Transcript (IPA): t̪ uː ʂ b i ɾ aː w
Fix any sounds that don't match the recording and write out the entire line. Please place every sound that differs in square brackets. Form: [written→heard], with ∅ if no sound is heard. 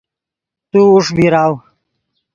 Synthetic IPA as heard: t̪ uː ʂ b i ɾ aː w